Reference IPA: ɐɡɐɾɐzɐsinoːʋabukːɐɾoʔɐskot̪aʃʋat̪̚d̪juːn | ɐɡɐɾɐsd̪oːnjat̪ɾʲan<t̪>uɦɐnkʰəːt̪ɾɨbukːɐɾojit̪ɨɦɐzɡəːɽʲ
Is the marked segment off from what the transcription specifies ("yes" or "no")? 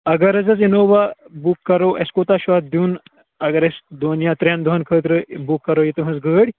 yes